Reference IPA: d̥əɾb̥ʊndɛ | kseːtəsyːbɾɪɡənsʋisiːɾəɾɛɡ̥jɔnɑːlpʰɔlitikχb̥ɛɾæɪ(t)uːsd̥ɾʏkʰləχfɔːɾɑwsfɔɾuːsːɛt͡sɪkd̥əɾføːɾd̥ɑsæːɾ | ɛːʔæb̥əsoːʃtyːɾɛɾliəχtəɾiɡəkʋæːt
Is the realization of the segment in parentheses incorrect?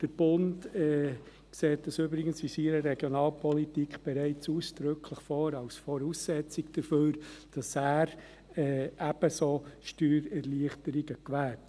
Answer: yes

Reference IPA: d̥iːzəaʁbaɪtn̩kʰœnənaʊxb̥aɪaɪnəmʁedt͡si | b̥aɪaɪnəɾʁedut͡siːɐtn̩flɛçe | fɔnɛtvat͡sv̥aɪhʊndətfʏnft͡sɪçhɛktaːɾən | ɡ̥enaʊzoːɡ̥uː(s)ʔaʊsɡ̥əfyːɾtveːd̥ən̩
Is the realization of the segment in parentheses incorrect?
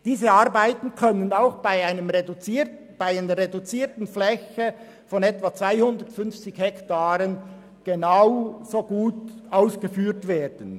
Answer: yes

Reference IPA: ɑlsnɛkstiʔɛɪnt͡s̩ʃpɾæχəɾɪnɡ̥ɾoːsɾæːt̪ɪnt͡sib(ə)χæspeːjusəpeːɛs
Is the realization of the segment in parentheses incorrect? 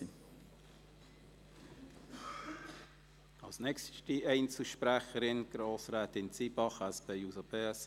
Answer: yes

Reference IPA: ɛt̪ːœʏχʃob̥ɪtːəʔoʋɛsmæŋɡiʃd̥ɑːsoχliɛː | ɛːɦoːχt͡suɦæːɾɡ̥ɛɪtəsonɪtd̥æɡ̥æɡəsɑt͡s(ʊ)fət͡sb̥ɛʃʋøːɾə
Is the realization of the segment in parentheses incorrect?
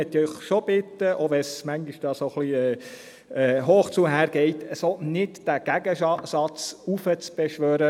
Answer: yes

